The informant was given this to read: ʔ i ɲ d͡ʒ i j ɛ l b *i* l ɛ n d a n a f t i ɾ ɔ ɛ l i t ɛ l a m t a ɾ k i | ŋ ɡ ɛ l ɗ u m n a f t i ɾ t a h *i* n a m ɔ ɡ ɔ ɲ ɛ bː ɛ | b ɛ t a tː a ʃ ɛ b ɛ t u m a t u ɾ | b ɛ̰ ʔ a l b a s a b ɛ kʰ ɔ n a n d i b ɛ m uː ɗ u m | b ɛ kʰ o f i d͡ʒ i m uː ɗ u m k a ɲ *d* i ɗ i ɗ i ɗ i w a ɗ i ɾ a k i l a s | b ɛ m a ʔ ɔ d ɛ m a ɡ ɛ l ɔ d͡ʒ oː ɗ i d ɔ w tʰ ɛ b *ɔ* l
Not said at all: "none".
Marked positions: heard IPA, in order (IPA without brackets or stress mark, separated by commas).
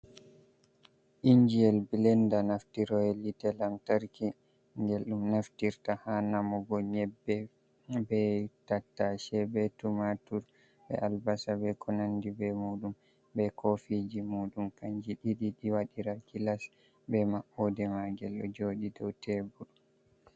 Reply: i, a, d͡ʒ, u